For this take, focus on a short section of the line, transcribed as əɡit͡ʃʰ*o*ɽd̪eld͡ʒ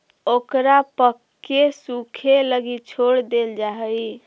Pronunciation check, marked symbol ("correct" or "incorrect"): correct